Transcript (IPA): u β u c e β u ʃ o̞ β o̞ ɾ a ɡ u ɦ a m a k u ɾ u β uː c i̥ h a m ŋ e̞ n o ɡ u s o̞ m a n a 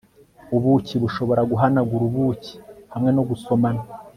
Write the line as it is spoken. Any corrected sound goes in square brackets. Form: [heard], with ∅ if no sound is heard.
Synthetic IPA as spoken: u β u c [i] β u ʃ o̞ β o̞ ɾ a ɡ u ɦ a [n] a [ɡ] u ɾ u β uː c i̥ h a m ŋ e̞ n o ɡ u s o̞ m a n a